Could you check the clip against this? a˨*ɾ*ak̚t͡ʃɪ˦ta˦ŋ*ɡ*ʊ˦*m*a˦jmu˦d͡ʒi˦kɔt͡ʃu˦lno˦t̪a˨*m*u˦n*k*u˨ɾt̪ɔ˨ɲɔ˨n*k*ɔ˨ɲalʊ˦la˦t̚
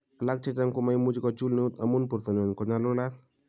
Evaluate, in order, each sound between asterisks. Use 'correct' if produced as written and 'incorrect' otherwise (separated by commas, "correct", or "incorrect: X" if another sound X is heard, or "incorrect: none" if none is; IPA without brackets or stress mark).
incorrect: l, incorrect: k, correct, correct, incorrect: p, correct